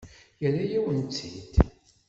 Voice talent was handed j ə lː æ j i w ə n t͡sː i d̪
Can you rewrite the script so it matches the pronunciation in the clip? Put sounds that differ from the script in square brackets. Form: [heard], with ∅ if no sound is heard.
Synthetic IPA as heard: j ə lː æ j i w ə n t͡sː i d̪